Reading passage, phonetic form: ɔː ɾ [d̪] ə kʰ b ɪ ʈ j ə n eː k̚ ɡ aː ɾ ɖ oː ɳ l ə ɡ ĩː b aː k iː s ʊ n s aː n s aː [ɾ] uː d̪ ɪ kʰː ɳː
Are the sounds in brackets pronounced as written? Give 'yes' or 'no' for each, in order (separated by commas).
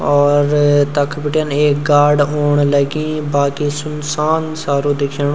no, yes